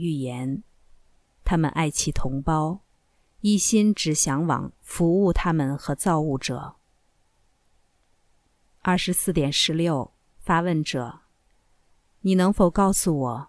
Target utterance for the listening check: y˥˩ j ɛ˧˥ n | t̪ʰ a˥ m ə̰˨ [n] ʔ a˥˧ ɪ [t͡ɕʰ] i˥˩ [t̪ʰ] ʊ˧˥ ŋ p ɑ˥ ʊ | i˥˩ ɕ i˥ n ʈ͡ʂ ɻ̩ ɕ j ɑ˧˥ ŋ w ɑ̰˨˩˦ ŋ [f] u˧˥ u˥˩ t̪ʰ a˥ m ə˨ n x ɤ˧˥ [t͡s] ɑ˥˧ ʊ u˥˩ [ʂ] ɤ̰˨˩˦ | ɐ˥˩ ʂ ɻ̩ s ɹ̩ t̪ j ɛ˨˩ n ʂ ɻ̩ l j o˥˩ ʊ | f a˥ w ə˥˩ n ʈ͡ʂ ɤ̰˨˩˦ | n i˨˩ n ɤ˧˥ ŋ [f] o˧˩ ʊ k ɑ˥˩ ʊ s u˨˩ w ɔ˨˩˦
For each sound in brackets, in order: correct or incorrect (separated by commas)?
correct, correct, correct, correct, correct, incorrect, correct